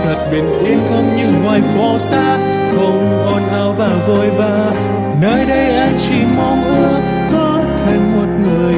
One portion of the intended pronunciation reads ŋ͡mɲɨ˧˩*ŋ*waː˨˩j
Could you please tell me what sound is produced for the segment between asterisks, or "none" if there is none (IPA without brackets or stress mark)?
ŋ